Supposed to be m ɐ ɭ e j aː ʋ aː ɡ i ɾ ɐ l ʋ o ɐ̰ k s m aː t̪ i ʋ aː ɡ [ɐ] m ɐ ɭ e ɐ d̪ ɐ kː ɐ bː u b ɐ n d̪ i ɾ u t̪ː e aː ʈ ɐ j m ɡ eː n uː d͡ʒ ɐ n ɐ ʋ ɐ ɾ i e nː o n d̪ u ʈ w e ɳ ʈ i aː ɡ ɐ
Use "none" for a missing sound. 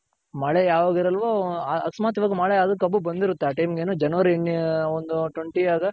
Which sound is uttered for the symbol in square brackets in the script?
ɐ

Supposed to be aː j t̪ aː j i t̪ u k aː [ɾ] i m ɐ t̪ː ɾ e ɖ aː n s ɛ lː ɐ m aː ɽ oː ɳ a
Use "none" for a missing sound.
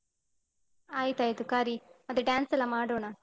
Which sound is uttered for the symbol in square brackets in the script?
ɾ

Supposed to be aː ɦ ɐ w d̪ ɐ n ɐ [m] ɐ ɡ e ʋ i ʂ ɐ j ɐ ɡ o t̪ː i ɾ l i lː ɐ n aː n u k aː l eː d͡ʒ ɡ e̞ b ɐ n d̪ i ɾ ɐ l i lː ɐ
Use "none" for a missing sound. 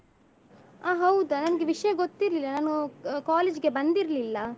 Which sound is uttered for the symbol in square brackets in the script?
n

